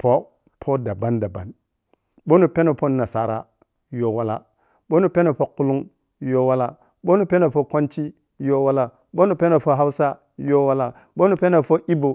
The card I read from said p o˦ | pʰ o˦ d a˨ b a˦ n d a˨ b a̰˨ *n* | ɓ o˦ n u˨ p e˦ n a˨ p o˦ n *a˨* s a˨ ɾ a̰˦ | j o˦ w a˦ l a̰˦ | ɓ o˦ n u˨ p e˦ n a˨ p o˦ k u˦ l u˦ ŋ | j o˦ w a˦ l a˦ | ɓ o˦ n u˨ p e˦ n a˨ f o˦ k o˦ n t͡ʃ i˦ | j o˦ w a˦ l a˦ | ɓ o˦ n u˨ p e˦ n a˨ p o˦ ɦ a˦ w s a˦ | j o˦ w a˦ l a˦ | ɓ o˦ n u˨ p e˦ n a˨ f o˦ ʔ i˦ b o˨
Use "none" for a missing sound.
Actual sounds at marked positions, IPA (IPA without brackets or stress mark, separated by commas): n, a˨